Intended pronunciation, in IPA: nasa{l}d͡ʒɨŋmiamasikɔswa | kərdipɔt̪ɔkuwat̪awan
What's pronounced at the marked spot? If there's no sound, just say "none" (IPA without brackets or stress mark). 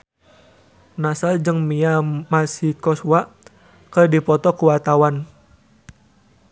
l